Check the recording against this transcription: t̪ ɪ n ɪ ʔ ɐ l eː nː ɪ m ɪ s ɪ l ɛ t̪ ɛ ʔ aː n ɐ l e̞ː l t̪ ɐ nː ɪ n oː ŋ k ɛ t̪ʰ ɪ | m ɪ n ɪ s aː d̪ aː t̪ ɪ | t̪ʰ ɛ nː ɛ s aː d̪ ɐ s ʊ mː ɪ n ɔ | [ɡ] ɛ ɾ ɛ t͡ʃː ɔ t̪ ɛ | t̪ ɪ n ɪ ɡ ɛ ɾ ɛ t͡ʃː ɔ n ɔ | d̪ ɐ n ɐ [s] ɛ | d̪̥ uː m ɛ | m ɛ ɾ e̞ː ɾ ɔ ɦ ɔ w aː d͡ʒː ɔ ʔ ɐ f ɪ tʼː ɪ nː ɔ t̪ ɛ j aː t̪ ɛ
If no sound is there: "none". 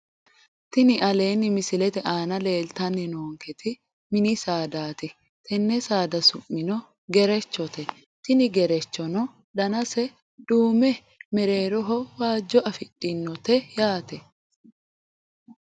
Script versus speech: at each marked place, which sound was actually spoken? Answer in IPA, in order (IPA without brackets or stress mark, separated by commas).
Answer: ɡ, s